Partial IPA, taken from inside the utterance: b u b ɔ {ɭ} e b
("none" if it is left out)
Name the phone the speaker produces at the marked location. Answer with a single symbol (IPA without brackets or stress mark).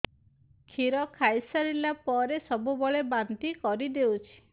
ɭ